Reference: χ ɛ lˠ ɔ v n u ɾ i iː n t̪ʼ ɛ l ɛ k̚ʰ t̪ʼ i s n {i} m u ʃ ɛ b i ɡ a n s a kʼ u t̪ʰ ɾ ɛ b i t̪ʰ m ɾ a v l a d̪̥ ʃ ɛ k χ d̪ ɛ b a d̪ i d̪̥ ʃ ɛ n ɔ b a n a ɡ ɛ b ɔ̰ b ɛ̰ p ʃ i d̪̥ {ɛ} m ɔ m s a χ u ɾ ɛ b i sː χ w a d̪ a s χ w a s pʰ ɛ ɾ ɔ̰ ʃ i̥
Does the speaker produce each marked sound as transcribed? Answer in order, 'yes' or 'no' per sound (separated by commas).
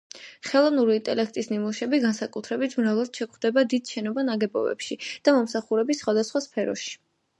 yes, no